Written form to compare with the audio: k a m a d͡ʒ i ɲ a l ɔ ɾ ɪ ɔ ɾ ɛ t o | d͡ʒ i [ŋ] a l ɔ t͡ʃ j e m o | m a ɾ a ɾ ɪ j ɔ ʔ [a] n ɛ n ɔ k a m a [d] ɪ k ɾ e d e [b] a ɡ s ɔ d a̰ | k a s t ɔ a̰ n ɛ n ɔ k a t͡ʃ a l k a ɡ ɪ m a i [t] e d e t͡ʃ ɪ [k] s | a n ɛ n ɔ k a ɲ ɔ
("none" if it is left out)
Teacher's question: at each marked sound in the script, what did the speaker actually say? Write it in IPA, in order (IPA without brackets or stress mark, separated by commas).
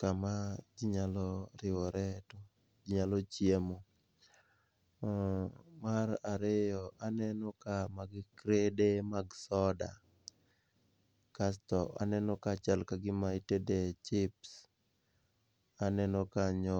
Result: ɲ, a, ɡ, m, t, p